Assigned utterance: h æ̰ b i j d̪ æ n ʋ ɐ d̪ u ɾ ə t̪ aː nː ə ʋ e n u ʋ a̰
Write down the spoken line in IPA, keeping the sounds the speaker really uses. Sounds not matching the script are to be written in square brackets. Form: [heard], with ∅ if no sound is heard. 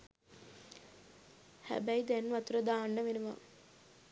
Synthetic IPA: h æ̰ b [æ] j d̪ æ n ʋ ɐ [t̪] u ɾ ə [d̪] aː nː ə ʋ e n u ʋ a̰